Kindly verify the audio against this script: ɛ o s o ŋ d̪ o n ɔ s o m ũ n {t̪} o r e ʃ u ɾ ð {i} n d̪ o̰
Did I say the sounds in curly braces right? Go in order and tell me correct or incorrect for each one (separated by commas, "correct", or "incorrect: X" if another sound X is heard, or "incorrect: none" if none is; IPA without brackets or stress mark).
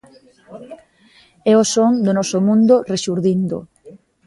incorrect: d̪, correct